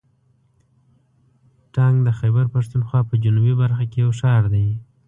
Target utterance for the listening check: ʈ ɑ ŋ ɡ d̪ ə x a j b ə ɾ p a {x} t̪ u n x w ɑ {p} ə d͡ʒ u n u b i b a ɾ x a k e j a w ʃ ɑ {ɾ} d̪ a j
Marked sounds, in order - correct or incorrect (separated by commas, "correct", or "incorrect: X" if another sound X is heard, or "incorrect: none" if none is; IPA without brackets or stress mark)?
incorrect: ʂ, correct, correct